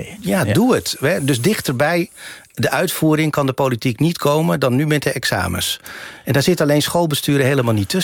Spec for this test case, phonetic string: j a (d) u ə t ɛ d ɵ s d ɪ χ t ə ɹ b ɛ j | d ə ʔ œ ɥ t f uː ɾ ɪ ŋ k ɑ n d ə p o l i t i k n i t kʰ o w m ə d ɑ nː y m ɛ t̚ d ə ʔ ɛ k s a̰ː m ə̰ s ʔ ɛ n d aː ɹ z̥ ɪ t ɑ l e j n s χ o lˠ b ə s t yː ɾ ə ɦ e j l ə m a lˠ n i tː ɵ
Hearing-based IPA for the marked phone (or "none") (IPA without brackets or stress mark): d